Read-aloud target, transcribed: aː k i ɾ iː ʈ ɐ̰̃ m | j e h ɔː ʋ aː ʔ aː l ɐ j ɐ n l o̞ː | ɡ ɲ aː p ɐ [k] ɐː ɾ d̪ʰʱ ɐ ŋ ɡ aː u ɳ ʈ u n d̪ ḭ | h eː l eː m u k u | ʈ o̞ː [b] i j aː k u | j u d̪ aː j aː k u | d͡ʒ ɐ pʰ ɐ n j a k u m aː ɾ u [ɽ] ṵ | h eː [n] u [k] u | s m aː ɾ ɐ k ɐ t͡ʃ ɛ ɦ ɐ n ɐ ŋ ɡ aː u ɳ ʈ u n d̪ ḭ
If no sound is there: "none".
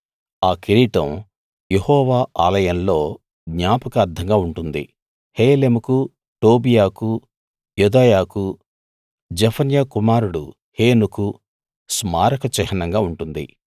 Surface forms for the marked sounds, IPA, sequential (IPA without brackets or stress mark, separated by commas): k, b, ɽ, n, k